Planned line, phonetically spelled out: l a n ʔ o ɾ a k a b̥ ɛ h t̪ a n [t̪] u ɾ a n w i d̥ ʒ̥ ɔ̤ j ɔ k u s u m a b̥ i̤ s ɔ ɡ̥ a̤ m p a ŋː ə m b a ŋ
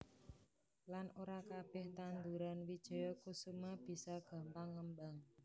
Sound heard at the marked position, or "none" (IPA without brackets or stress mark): d̪